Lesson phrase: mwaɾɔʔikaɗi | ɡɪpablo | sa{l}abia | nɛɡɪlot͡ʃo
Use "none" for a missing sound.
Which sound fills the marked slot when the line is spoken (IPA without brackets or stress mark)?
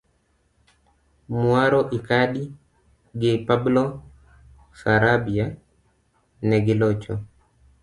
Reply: ɾ